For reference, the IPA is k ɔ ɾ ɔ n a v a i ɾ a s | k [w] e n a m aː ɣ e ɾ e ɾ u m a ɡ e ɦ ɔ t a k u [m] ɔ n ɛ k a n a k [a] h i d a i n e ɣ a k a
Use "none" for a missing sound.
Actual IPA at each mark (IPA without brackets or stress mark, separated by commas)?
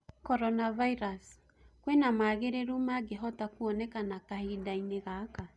w, none, a